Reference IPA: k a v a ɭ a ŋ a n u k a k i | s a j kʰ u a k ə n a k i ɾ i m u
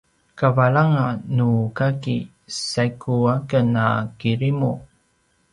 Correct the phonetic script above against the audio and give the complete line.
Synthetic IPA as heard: k a v a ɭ a ŋ a n u k a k i | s a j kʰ u a k ə n a k i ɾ i m u